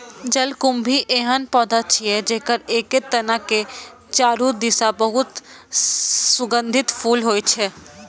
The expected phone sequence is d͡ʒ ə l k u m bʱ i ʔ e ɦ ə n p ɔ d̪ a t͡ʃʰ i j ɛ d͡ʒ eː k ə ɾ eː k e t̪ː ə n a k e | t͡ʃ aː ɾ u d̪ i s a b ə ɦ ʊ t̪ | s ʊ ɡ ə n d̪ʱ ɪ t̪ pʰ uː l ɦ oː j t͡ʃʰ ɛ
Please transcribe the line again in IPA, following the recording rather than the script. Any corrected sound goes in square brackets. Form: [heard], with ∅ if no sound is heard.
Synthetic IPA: d͡ʒ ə l k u m bʱ i ʔ e ɦ ə n p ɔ d̪ a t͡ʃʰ i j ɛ d͡ʒ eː k ə ɾ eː k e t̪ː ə n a k e | t͡ʃ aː ɾ u d̪ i s a b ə ɦ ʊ t̪ | s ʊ ɡ ə n d̪ʱ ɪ t̪ pʰ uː l ɦ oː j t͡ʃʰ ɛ